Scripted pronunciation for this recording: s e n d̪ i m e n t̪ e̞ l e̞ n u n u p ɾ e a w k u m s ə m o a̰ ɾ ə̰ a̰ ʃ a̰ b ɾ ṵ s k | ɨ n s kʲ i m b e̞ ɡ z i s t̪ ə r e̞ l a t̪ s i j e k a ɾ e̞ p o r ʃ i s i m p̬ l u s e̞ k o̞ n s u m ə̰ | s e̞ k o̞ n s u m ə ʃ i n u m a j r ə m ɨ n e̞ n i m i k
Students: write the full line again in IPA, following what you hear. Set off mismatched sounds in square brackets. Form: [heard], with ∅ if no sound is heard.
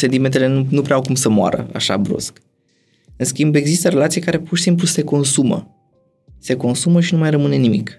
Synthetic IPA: s e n [t̪] i m e n t̪ e̞ l e̞ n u n u p ɾ e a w k u m s ə m o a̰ ɾ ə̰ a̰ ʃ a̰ b ɾ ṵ s k | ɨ n s kʲ i m b e̞ ɡ z i s t̪ ə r e̞ l a t̪ s i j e k a ɾ e̞ p [u] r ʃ i s i m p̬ l u s e̞ k o̞ n s u m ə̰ | s e̞ k o̞ n s u m ə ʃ i n u m a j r ə m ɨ n e̞ n i m i k